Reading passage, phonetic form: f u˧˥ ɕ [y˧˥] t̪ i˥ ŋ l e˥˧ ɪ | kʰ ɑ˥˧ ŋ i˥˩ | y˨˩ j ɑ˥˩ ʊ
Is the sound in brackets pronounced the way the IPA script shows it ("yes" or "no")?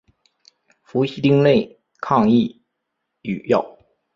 no